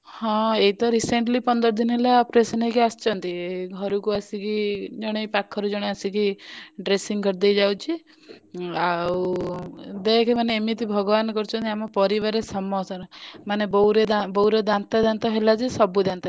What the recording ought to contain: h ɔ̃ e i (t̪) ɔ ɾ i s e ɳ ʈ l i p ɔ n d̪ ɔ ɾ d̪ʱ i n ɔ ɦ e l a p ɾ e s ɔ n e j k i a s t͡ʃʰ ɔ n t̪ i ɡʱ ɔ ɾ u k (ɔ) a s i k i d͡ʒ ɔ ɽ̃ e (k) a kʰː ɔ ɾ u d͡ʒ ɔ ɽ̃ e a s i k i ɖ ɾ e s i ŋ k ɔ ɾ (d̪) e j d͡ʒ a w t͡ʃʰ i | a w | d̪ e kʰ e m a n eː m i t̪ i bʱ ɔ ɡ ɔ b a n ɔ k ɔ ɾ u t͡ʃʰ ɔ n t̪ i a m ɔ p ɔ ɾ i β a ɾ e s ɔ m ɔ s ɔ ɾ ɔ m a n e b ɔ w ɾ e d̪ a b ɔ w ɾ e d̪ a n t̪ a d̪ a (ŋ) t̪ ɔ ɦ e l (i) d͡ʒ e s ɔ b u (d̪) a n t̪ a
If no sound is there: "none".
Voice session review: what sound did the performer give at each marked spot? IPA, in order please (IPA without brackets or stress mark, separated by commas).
t̪, u, p, d̪, n, a, d̪